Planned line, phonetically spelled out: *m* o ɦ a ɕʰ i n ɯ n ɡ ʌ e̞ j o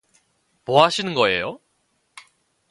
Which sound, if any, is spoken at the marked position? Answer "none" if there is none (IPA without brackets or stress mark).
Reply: m